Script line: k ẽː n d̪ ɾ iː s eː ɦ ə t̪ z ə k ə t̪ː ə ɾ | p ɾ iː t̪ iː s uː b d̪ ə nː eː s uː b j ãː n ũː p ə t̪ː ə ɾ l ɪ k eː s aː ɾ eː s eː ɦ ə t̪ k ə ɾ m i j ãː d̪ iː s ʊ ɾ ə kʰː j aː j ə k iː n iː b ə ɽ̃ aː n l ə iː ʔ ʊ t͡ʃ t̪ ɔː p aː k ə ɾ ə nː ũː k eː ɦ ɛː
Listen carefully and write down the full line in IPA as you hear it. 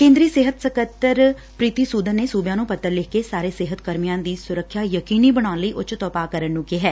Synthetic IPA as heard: k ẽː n d̪ ɾ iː s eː ɦ ə t̪ s ə k ə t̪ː ə ɾ | p ɾ iː t̪ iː s uː d̪ ə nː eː s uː b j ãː n ũː p ə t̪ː ə ɾ l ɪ k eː s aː ɾ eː s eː ɦ ə t̪ k ə ɾ m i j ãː d̪ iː s ʊ ɾ ə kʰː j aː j ə k iː n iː b ə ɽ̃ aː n l ə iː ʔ ʊ t͡ʃ t̪ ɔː p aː k ə ɾ ə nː ũː k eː ɦ ɛː

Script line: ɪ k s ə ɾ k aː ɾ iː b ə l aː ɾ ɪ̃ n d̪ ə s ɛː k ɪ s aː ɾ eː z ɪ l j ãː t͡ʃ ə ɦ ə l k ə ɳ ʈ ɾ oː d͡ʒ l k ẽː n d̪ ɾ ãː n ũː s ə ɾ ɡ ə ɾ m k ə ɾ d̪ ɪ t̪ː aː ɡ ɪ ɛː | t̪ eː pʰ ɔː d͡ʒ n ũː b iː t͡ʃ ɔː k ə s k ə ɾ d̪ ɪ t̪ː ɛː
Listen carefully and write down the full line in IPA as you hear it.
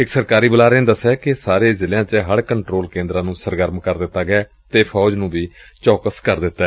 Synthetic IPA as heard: ɪ k s ə ɾ k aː ɾ iː b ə l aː ɾ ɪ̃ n d̪ ə s ɛː k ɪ s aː ɾ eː z ɪ l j ãː t͡ʃ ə ɦ ə ɽ k ə ɳ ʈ ɾ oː l k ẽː n d̪ ɾ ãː n ũː s ə ɾ ɡ ə ɾ m k ə ɾ d̪ ɪ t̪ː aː ɡ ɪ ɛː | t̪ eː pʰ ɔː d͡ʒ n ũː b iː t͡ʃ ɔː k ə s k ə ɾ d̪ ɪ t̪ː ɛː

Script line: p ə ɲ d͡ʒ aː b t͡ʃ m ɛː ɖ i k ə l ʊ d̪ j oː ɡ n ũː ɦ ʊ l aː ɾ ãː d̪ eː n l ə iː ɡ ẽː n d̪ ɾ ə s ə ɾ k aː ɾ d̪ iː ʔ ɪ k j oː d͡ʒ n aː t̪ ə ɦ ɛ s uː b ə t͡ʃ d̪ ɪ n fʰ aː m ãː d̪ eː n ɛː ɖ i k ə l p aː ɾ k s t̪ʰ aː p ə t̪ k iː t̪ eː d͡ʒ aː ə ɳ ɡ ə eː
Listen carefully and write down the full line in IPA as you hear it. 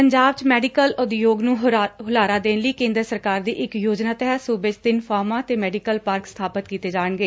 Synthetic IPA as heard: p ə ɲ d͡ʒ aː b t͡ʃ m ɛː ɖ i k ə l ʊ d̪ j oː ɡ n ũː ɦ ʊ l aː ɾ aː d̪ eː n l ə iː k ẽː n d̪ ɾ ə s ə ɾ k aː ɾ d̪ iː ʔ ɪ k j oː d͡ʒ n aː t̪ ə ɦ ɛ s uː b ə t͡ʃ d̪ ɪ n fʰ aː m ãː t̪ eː m ɛː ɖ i k ə l p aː ɾ k s t̪ʰ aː p ə t̪ k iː t̪ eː d͡ʒ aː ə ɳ ɡ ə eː

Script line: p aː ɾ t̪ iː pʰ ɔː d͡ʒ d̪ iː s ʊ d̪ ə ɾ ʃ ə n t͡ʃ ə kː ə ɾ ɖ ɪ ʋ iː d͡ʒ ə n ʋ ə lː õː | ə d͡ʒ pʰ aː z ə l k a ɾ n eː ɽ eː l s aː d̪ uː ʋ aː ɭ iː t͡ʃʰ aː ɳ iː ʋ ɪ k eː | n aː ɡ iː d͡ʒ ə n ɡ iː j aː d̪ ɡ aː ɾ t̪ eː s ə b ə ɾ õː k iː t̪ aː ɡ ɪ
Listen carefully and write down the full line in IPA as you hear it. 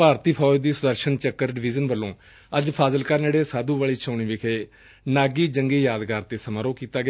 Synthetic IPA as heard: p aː ɾ t̪ iː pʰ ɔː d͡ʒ d̪ iː s ʊ d̪ ə ɾ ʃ ə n t͡ʃ ə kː ə ɾ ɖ ɪ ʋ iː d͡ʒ ə n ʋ ə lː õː | ə d͡ʒ pʰ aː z ə l k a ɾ n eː ɽ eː s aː d̪ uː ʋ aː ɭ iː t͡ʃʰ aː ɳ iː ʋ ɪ kʰ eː | n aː ɡ iː d͡ʒ ə ŋ ɡ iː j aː d̪ ɡ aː ɾ t̪ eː s ə m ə ɾ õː k iː t̪ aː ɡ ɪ

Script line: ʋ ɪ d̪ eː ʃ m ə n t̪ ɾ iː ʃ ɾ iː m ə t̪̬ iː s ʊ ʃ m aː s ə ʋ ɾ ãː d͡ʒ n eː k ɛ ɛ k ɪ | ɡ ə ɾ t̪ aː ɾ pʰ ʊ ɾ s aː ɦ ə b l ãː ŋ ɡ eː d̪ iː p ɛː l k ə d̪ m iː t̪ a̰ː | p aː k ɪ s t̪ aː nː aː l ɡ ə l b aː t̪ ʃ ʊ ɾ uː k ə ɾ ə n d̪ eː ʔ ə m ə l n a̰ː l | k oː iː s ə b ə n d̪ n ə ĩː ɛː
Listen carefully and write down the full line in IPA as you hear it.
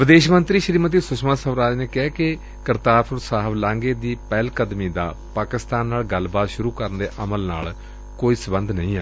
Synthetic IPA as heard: ʋ ɪ d̪ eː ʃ m ə n t̪ ɾ iː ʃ ɾ iː m ə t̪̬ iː s ʊ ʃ m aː s ə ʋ ɾ aː d͡ʒ n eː k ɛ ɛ k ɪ | k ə ɾ t̪ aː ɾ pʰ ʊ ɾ s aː ɦ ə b l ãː ŋ ɡ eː d̪ iː p ɛː l k ə d̪ m iː d̪ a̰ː | p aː k ɪ s t̪ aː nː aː l ɡ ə l b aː t̪ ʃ ʊ ɾ uː k ə ɾ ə n d̪ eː ʔ ə m ə l n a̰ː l | k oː iː s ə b ə n d̪ n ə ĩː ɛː

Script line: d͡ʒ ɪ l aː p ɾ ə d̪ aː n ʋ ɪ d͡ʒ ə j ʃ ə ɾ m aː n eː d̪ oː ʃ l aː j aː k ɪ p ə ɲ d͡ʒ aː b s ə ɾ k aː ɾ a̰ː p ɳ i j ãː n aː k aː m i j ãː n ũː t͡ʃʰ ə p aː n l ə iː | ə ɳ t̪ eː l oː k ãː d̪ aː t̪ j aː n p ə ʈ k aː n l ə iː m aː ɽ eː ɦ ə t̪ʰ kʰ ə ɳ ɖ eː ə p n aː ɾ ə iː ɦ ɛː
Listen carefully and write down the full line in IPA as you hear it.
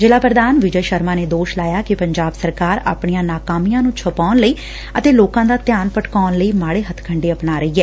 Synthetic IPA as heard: d͡ʒ ɪ l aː p ɾ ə d̪ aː n ʋ ɪ d͡ʒ ə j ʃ ə ɾ m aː n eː d̪ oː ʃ l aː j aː k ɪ p ə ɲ d͡ʒ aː b s ə ɾ k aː ɾ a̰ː p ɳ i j ãː n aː k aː m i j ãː n ũː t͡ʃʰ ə p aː n l ə iː | ə t̪ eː l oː k ãː d̪ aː t̪ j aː n p ə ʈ k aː n l ə iː m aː ɽ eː ɦ ə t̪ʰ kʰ ə ɳ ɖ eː ə p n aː ɾ ə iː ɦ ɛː

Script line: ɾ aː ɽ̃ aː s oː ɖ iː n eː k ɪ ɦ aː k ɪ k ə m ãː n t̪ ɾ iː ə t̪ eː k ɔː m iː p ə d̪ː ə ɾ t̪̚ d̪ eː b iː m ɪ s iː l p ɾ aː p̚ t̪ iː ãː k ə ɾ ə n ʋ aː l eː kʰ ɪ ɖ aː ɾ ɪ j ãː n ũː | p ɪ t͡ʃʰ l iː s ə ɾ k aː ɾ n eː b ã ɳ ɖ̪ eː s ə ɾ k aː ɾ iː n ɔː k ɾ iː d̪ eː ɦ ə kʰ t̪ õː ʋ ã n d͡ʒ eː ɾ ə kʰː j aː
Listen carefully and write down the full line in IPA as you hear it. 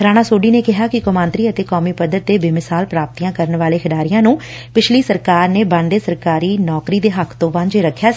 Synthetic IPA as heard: ɾ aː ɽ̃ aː s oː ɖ iː n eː k ɪ ɦ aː k ɪ k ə m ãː n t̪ ɾ iː ə t̪ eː k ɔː m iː p ə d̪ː ə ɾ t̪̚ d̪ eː b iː m ɪ s aː l p ɾ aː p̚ t̪ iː ãː k ə ɾ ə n ʋ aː l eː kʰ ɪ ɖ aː ɾ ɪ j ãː n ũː | p ɪ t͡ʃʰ l iː s ə ɾ k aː ɾ n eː b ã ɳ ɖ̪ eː s ə ɾ k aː ɾ iː n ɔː k ɾ iː d̪ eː ɦ ə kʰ t̪ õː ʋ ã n d͡ʒ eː ɾ ə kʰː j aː

